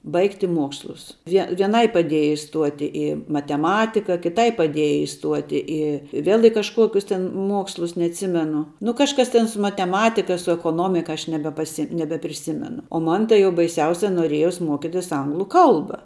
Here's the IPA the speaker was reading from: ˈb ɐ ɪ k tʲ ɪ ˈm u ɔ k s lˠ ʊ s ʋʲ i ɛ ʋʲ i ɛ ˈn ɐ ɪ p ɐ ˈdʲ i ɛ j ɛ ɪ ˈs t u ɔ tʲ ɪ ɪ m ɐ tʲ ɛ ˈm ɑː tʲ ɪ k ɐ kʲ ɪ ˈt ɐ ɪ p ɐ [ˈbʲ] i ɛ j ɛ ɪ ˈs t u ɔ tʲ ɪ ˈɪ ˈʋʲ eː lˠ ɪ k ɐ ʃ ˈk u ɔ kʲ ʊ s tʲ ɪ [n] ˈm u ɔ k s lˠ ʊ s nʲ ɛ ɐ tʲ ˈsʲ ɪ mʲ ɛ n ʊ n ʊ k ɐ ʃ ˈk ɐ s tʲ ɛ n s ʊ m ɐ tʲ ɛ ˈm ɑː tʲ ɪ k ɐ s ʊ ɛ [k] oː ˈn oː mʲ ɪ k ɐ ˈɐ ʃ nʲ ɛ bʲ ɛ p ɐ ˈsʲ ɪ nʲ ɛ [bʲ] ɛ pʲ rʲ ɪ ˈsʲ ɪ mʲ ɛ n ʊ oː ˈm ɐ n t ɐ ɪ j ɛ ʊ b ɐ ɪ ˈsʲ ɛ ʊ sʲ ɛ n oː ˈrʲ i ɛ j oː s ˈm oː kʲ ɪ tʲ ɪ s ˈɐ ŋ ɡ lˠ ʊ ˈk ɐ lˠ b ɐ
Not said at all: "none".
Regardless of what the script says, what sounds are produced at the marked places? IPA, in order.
dʲ, n, k, bʲ

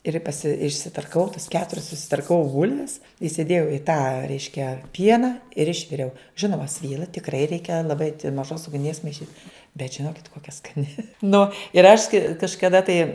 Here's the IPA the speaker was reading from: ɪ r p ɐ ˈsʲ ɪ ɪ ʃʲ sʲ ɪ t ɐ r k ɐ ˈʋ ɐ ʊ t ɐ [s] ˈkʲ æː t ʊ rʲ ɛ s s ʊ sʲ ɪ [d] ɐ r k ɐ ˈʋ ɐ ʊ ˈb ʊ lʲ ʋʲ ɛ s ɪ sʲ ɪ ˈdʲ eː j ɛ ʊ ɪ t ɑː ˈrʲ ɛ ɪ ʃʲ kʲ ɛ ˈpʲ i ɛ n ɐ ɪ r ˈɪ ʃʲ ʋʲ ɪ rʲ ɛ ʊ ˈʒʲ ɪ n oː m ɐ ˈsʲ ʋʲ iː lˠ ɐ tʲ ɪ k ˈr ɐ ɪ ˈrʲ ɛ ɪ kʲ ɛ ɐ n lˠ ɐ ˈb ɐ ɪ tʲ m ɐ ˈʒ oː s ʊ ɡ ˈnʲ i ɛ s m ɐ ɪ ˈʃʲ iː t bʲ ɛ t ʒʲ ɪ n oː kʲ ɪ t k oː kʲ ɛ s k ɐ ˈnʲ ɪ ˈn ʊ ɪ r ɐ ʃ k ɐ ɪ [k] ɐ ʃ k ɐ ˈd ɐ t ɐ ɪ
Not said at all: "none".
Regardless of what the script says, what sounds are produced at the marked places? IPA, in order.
s, t, k

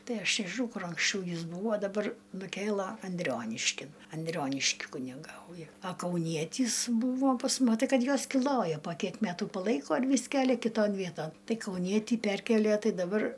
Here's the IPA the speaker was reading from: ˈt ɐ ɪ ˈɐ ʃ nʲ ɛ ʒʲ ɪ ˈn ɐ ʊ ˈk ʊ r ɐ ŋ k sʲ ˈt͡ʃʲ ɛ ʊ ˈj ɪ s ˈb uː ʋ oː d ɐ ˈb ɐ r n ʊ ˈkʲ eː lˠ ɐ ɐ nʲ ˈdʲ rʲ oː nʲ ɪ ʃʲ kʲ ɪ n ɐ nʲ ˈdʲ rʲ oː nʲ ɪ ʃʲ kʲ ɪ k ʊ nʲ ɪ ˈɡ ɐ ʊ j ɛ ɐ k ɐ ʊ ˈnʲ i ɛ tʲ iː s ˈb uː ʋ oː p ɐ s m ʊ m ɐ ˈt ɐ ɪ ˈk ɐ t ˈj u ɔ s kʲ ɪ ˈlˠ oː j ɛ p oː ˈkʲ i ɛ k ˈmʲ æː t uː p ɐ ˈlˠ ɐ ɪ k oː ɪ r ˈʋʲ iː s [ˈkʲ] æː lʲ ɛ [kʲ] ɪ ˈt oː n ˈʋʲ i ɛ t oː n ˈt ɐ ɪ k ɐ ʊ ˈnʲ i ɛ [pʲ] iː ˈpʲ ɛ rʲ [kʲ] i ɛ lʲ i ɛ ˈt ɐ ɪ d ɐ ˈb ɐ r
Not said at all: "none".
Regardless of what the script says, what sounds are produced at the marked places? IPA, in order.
kʲ, kʲ, tʲ, kʲ

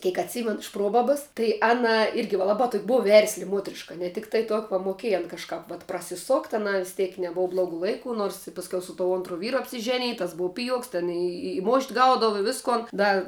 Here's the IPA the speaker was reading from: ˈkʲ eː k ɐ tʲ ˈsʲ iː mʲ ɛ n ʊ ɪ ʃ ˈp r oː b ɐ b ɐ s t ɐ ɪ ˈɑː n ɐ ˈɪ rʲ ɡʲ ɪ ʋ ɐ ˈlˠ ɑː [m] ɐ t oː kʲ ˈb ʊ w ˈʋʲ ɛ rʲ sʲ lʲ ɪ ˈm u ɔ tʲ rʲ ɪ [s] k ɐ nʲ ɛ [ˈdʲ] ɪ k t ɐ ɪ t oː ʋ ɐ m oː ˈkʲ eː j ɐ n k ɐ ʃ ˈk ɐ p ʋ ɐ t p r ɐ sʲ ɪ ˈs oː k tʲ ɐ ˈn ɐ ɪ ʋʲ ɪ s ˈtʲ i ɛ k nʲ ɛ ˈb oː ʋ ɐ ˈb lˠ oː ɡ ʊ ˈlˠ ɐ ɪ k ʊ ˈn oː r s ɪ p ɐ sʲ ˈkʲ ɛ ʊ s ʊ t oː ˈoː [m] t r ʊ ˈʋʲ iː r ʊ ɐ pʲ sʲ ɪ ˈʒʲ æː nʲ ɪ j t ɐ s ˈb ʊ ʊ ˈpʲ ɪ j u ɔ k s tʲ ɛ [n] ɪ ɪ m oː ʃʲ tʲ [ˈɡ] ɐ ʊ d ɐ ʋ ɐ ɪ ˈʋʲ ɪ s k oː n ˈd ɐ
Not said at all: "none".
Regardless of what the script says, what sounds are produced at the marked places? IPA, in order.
b, ʃ, tʲ, n, n, ɡ

